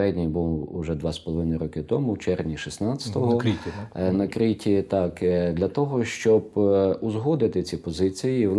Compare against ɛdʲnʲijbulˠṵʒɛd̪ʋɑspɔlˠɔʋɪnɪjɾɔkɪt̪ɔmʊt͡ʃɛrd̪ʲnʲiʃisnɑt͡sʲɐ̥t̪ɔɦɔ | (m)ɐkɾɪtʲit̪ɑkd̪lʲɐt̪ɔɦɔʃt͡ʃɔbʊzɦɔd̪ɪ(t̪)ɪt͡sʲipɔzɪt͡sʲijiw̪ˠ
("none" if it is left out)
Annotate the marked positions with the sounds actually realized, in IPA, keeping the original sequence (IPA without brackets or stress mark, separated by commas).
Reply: n, t̪